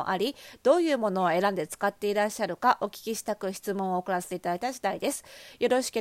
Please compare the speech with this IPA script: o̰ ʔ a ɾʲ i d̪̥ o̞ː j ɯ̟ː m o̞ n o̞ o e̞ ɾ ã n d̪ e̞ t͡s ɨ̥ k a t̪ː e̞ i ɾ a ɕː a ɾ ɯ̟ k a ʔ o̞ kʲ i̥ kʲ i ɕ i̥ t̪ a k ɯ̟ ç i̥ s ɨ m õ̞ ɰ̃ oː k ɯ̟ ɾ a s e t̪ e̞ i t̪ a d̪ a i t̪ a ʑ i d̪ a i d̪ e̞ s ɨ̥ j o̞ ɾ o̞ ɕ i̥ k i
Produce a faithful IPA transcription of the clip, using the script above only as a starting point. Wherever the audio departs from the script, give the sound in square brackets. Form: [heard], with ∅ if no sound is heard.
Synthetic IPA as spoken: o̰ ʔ a ɾʲ i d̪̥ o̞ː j ɯ̟ː m o̞ n o̞ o e̞ ɾ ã n d̪ e̞ t͡s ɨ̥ k a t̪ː e̞ i ɾ a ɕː a ɾ ɯ̟ k a ʔ o̞ kʲ i̥ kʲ i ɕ i̥ t̪ a k ɯ̟ ç i̥ [t͡s] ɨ m õ̞ ɰ̃ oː k ɯ̟ ɾ a s e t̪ e̞ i t̪ a d̪ a i t̪ a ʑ i d̪ a i d̪ e̞ s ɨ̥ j o̞ ɾ o̞ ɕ i̥ k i